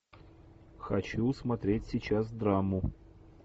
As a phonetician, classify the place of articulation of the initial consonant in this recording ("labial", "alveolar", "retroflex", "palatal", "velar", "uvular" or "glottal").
velar